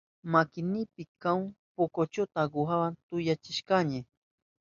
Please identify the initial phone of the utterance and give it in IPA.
m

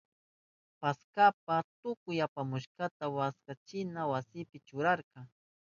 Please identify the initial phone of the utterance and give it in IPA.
p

